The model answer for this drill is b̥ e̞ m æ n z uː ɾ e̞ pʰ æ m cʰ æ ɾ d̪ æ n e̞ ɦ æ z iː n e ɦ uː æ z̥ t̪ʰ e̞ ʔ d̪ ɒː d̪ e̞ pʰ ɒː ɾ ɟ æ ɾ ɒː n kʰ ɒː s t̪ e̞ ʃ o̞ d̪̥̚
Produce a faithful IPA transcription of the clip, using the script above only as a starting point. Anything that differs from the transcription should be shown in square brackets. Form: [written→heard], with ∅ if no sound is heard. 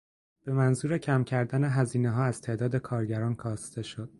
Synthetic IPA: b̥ e̞ m æ n z uː ɾ e̞ [pʰ→cʰ] æ m cʰ æ ɾ d̪ æ n e̞ ɦ æ z iː n e ɦ [uː→ɒː] æ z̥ t̪ʰ e̞ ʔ d̪ ɒː d̪ e̞ [pʰ→kʰ] ɒː ɾ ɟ æ ɾ ɒː n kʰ ɒː s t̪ e̞ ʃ o̞ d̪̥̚